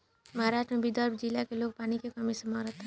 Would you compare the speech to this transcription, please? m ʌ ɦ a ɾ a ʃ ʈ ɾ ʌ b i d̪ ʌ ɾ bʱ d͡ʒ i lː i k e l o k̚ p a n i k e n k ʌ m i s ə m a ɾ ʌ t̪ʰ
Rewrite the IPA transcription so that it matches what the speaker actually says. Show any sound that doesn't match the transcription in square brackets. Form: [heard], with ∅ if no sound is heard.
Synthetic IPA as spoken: m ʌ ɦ a ɾ a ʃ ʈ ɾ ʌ b i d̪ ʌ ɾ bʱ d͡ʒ i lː [a] k e l o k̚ p a n i k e [∅] k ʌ m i s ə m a ɾ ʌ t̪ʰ